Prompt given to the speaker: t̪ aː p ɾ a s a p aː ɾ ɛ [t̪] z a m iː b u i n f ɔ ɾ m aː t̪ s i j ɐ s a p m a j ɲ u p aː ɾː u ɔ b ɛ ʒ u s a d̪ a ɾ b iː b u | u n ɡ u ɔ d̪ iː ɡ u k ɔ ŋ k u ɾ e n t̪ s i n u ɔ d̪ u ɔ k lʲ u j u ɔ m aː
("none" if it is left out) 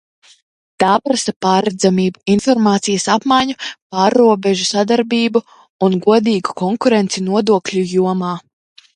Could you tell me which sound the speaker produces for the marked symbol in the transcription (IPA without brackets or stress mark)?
d̪